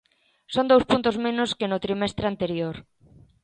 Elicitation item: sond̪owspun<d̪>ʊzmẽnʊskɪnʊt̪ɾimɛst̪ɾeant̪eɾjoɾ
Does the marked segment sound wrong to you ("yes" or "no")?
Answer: yes